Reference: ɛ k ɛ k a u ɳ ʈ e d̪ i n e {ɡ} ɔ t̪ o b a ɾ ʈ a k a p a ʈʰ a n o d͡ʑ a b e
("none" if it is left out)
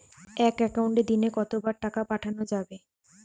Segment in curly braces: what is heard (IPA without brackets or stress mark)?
k